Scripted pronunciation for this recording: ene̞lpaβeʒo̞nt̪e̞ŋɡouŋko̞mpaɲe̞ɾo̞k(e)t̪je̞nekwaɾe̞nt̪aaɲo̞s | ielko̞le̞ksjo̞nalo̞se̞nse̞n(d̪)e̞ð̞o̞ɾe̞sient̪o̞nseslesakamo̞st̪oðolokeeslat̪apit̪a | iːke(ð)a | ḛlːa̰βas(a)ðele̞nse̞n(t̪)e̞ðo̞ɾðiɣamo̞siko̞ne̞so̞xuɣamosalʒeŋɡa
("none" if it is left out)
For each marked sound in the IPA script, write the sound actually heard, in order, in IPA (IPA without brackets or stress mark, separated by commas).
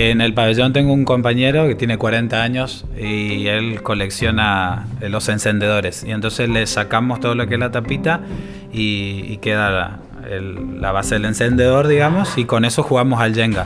e, d̪, ð, e, d̪